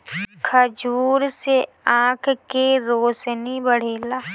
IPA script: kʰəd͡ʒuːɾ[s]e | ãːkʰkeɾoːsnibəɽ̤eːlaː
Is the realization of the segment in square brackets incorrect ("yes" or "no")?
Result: no